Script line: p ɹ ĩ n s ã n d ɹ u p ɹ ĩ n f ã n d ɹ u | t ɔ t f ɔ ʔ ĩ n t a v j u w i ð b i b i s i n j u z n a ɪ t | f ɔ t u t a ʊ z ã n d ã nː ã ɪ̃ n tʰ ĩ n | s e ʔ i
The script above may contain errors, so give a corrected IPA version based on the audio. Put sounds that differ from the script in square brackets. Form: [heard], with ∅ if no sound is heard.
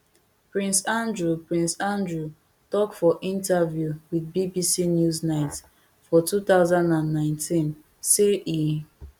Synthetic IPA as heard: p ɹ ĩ n s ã n d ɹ u p ɹ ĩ n [s] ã n d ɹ u | t ɔ [k] f ɔ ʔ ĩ n t a v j u w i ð b i b i s i n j u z n a ɪ t | f ɔ t u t a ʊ z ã n d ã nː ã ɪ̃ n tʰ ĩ n | s e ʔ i